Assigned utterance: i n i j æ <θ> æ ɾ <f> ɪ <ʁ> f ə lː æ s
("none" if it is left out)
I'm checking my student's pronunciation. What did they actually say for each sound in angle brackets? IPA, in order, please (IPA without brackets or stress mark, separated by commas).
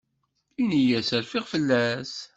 s, f, ʁ